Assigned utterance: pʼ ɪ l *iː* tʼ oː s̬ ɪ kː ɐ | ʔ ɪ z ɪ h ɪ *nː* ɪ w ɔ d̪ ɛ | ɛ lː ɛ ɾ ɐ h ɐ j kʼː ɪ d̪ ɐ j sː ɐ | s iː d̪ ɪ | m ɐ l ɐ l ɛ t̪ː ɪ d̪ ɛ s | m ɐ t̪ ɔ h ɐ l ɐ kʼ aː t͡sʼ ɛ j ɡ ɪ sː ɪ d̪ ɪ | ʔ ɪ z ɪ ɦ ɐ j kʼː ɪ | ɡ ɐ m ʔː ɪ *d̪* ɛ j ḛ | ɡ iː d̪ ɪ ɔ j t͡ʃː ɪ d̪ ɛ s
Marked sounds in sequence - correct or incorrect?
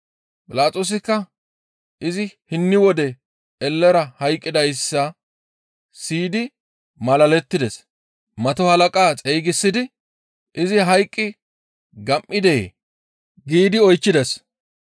incorrect: aː, correct, correct

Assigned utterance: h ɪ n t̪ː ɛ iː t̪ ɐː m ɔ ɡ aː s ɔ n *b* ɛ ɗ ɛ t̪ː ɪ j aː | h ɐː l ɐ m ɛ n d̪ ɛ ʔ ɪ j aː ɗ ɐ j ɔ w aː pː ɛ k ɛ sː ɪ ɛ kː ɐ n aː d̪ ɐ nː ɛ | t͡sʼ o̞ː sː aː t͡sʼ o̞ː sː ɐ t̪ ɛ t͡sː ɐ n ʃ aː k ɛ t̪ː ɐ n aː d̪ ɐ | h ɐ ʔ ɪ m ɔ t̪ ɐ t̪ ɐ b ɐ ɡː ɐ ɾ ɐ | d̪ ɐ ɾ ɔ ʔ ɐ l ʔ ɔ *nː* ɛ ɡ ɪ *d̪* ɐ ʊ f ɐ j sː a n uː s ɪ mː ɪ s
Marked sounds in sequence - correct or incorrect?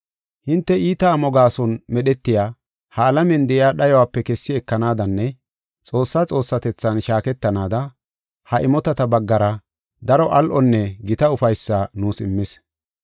incorrect: m, correct, incorrect: t̪

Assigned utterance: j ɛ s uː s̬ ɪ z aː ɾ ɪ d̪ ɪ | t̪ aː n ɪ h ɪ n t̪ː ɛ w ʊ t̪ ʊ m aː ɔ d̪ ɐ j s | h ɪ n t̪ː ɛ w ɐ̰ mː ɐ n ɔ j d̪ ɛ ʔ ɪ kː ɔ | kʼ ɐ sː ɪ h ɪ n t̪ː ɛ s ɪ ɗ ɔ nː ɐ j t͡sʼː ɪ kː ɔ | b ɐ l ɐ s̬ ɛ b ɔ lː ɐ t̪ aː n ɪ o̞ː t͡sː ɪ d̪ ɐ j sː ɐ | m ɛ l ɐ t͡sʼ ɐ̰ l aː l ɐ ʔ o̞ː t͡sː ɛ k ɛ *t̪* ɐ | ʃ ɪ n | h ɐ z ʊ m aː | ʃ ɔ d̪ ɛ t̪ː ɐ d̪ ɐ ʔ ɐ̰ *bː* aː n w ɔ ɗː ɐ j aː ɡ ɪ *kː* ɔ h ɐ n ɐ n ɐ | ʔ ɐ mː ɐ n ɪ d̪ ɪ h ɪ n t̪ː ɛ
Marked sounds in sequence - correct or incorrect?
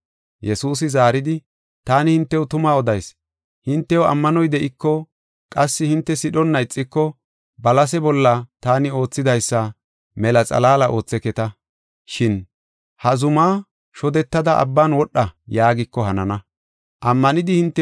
correct, correct, correct

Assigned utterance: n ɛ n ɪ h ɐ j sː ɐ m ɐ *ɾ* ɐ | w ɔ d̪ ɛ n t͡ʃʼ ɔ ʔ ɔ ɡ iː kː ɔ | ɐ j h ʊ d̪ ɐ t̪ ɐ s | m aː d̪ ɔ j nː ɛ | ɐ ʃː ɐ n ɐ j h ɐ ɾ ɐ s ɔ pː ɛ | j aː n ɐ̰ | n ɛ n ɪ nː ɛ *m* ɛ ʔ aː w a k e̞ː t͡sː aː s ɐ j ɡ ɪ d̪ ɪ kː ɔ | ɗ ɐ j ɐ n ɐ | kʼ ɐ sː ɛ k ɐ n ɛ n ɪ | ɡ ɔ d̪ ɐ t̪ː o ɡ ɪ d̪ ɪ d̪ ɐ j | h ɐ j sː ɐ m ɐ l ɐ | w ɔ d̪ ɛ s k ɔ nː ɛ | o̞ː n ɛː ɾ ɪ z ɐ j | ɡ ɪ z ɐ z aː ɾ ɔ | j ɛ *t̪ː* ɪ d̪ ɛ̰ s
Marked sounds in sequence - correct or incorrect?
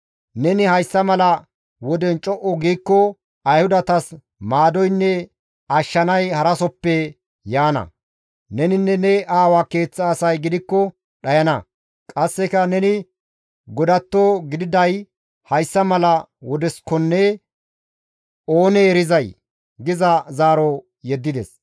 incorrect: l, incorrect: n, incorrect: d̪ː

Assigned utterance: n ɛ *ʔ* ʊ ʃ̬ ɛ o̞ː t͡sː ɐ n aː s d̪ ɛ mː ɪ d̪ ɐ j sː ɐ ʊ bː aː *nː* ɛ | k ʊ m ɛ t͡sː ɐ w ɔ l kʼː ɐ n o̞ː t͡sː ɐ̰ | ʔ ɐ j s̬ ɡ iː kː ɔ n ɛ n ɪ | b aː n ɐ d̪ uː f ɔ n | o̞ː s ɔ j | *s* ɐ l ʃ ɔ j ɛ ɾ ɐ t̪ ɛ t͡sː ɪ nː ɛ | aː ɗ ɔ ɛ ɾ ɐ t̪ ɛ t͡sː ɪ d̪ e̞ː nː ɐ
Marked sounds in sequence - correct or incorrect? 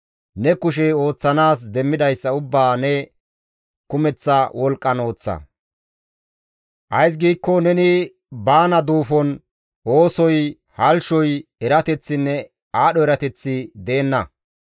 incorrect: k, incorrect: n, incorrect: h

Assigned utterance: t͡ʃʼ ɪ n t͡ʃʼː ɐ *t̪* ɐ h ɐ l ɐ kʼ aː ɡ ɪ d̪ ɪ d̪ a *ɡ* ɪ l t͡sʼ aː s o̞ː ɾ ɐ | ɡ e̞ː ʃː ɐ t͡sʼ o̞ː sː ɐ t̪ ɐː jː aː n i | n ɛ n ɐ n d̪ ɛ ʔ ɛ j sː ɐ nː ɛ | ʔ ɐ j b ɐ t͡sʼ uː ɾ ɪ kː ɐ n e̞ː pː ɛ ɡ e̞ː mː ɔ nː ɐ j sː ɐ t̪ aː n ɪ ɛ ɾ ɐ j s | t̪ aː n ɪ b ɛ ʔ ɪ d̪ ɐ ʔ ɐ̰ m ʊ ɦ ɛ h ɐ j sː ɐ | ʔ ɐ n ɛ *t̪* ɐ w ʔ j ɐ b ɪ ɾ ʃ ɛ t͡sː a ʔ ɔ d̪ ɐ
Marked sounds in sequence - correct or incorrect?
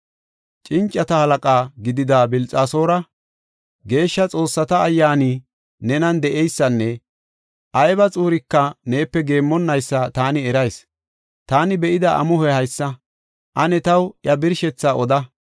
correct, incorrect: b, correct

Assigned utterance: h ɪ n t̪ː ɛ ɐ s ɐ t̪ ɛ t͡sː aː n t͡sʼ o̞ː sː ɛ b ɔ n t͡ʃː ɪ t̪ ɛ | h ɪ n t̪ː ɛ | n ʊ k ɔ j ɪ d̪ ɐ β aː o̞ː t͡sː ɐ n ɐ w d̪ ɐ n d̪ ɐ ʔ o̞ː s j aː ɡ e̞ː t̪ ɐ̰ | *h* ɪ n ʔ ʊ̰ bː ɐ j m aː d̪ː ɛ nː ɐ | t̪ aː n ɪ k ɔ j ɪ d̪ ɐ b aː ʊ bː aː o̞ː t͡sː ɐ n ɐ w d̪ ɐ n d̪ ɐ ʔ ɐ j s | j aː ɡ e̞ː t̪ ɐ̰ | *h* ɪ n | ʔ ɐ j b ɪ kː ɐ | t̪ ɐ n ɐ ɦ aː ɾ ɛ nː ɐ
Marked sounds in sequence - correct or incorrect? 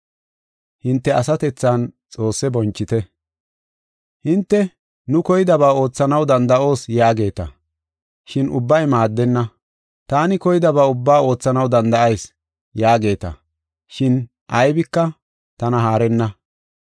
incorrect: ʃ, incorrect: ʃ

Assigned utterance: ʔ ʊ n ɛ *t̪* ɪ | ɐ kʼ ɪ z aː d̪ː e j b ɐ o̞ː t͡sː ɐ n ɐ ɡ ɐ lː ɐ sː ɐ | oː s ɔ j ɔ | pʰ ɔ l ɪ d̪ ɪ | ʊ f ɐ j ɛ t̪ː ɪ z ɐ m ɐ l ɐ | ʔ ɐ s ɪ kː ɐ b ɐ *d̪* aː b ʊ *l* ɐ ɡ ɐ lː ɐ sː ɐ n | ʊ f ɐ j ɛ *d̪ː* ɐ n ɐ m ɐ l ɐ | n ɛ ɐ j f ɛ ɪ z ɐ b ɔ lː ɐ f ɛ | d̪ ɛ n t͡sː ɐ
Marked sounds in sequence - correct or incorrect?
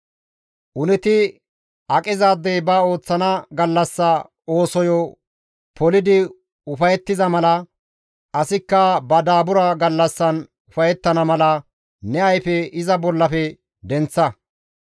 correct, correct, incorrect: ɾ, incorrect: t̪ː

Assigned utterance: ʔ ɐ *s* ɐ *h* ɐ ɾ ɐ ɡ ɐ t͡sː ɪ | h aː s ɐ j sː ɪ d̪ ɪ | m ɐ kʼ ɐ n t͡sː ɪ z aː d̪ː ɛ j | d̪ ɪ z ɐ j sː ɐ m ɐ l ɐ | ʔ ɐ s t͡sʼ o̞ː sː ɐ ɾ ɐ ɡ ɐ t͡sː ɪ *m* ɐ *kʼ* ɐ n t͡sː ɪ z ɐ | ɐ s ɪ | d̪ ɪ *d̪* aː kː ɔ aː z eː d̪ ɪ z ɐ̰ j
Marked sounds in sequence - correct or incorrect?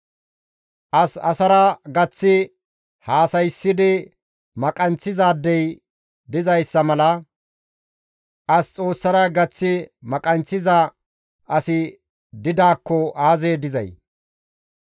correct, incorrect: s, correct, correct, correct

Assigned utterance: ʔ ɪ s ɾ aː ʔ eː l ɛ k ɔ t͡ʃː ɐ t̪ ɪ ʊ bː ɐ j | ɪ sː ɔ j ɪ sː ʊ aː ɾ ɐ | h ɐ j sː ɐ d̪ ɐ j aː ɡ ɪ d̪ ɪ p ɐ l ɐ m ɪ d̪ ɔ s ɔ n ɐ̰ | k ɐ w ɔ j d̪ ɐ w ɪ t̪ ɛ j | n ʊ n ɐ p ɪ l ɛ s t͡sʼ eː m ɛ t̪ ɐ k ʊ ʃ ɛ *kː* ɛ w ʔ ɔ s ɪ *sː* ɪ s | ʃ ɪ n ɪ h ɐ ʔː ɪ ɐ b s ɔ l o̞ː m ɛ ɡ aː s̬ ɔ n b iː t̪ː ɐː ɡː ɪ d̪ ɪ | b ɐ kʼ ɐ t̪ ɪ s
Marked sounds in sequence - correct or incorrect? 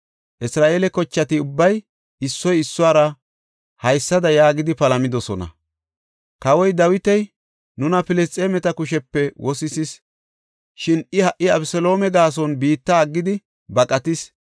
incorrect: pː, incorrect: s

